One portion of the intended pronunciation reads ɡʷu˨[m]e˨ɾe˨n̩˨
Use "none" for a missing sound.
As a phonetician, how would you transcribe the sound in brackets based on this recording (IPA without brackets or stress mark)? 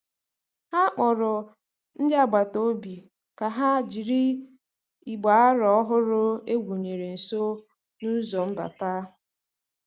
ɲ